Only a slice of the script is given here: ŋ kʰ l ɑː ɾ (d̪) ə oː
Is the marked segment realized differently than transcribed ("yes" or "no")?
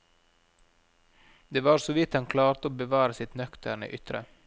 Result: yes